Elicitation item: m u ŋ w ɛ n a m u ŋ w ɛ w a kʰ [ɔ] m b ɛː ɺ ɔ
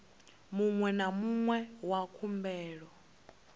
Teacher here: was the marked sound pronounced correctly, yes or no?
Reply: no